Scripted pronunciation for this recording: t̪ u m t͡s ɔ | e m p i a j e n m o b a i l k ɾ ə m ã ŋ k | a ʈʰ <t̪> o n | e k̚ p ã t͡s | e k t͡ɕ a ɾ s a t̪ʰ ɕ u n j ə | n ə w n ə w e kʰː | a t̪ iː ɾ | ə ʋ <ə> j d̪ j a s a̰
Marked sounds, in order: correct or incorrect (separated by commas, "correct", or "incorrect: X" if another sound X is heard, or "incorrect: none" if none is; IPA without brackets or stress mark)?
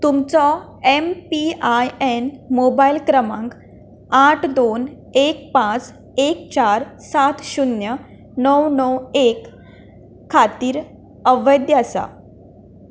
incorrect: d̪, correct